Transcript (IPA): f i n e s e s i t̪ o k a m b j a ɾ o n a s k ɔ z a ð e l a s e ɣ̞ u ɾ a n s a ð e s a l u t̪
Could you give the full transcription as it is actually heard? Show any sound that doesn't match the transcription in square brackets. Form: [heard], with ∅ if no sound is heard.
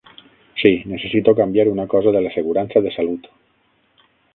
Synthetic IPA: [s] i n e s e s i t̪ o k a m b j a ɾ [u] n a [∅] k ɔ z a ð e l a s e ɣ̞ u ɾ a n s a ð e s a l u t̪